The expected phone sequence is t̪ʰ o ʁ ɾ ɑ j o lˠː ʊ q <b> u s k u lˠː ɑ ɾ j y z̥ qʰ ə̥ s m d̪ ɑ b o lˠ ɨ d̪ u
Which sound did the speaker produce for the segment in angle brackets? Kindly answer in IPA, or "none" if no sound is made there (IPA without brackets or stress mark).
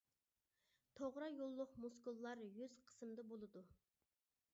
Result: m